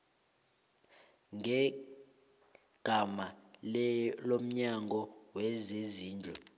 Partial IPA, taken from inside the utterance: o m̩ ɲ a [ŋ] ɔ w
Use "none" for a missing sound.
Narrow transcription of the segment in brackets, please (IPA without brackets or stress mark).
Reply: ŋ